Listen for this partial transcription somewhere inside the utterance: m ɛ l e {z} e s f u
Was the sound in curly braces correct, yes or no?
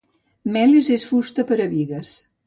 yes